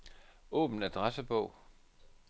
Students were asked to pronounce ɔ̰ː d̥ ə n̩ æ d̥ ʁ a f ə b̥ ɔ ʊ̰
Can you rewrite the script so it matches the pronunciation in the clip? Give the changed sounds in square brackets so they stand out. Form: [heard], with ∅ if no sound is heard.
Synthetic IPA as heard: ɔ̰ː [b̥] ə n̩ æ d̥ ʁ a [s] ə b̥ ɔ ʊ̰